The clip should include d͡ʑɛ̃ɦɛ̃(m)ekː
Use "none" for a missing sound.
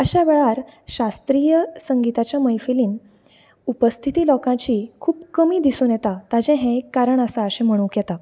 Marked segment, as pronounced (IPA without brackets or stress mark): none